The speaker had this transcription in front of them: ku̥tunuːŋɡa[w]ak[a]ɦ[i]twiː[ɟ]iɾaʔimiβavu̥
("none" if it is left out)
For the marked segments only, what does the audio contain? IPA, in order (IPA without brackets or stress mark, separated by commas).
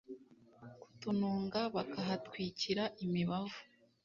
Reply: β, a, a, c